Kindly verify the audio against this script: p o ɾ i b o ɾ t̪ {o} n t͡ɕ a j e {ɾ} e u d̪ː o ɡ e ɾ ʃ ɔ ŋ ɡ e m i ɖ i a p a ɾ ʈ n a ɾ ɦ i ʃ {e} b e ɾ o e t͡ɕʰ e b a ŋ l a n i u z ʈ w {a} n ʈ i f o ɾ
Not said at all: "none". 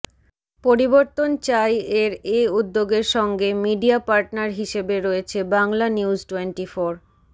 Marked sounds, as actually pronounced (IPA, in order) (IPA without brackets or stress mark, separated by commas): o, ɾ, e, e